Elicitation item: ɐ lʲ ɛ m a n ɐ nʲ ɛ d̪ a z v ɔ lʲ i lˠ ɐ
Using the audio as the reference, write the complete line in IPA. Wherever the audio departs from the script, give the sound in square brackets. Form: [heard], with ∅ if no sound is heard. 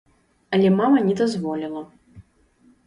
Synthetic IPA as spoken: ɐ lʲ ɛ m a [m] ɐ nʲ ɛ d̪ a z v ɔ lʲ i lˠ ɐ